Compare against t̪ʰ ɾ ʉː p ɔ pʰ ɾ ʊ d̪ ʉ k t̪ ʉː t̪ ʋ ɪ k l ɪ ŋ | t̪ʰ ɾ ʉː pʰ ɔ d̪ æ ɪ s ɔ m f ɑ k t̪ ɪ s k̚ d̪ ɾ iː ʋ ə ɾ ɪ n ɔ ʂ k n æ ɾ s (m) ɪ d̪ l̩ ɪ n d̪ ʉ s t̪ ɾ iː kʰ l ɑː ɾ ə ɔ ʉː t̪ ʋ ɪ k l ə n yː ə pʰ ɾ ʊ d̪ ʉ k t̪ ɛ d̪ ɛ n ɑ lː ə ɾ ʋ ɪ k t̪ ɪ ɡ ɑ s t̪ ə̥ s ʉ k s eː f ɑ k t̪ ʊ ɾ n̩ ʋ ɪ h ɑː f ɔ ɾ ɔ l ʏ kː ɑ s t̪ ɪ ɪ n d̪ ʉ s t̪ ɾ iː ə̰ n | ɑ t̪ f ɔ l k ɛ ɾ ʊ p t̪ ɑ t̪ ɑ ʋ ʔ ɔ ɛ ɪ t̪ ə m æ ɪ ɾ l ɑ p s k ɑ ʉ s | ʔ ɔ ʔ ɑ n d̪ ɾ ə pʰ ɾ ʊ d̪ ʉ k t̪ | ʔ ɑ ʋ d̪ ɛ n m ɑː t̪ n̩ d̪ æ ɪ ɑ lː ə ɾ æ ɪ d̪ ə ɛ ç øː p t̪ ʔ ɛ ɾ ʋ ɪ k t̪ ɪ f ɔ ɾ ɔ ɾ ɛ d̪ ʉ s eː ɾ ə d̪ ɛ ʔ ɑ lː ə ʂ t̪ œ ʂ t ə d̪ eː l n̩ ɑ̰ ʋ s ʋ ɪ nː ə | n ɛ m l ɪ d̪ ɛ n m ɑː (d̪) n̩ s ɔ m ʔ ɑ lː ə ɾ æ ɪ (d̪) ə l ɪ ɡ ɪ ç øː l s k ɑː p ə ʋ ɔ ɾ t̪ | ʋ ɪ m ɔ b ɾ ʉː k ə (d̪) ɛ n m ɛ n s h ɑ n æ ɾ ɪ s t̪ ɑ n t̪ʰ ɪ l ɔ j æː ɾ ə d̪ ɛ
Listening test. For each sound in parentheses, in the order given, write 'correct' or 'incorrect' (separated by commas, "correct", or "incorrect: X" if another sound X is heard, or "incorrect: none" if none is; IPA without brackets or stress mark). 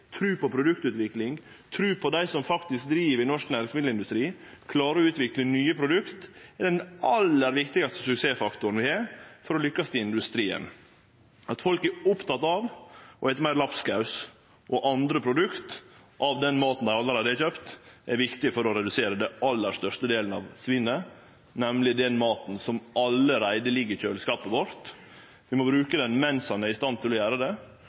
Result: correct, incorrect: t̪, correct, correct